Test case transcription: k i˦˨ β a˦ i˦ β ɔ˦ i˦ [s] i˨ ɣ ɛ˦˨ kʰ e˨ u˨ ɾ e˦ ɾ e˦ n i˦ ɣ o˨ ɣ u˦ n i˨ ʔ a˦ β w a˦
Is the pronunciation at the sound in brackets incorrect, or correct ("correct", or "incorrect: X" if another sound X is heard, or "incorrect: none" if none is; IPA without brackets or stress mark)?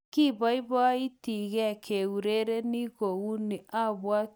incorrect: t